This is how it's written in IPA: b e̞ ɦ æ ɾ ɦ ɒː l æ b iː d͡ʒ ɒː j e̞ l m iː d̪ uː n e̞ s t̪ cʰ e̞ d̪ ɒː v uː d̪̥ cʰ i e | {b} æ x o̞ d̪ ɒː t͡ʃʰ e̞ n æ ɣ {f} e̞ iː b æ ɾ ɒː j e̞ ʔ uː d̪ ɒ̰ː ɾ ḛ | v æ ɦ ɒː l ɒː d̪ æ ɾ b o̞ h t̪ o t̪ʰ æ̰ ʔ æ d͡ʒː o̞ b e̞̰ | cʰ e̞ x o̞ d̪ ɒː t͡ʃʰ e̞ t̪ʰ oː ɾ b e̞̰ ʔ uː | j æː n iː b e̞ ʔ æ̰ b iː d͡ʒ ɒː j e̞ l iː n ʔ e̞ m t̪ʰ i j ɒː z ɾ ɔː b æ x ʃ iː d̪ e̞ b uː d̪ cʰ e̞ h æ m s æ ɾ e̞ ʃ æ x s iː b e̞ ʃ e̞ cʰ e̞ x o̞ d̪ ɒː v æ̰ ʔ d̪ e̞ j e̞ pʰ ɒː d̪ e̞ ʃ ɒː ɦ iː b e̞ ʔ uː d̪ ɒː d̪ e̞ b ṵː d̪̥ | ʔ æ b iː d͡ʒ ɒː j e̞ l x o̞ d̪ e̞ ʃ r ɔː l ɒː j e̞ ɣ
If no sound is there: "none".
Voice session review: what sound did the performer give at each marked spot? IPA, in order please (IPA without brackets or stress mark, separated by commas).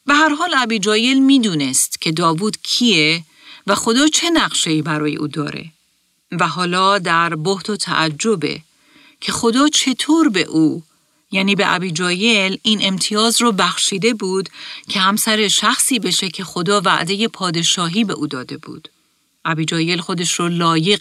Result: v, ʃ